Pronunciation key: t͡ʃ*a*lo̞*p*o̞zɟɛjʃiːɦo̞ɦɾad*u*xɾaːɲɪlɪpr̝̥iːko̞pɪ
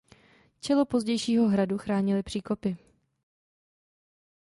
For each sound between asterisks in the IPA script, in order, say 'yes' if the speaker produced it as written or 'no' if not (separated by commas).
no, yes, yes